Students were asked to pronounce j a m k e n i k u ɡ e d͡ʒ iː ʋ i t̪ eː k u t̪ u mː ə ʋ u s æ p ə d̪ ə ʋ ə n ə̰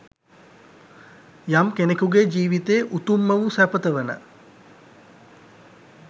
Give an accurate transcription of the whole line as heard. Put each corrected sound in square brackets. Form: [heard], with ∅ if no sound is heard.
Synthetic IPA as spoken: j a m k e n [e] k u ɡ e d͡ʒ iː ʋ i t̪ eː [ʔ] u t̪ u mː ə ʋ u s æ p ə [t̪] ə ʋ ə n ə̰